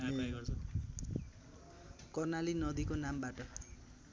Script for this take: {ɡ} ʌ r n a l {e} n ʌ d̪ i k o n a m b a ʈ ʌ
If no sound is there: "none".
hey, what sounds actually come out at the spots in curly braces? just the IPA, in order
k, i

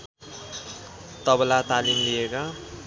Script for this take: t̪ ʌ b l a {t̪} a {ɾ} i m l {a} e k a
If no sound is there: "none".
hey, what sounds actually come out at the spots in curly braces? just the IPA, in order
t̪, l, i

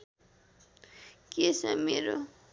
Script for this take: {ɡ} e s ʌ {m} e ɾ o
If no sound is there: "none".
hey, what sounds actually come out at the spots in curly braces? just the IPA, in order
k, m

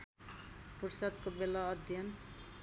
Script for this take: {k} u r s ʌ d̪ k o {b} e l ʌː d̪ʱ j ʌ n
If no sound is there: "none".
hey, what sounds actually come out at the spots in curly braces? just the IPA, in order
p, b

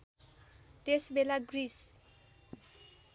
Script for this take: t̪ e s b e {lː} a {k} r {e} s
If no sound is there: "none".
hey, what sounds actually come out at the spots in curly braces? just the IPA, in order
l, ɡ, i

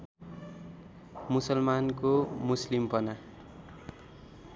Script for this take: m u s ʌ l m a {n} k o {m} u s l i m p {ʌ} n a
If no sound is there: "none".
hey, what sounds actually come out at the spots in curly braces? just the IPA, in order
n, m, ʌ

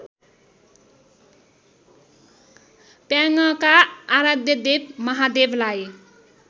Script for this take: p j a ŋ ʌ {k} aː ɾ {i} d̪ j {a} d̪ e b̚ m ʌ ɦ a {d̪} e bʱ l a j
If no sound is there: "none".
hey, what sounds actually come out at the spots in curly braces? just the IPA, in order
k, a, ʌ, d̪

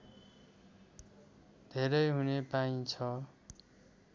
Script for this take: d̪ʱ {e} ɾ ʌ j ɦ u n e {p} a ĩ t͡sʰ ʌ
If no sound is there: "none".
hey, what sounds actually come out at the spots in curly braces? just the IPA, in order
e, p

